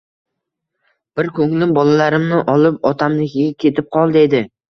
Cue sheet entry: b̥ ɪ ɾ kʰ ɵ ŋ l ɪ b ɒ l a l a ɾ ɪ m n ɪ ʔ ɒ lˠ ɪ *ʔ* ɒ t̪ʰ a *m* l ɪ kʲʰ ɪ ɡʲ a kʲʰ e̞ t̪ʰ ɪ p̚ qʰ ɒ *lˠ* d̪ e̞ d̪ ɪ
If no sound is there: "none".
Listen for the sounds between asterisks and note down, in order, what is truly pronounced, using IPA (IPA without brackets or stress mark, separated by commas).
p, m, lˠ